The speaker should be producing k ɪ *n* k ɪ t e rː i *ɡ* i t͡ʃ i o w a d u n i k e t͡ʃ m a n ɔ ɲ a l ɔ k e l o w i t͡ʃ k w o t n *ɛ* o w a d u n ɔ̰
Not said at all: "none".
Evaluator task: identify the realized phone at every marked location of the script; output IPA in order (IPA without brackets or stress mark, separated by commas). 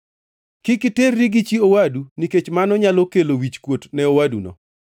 none, ɡ, ɛ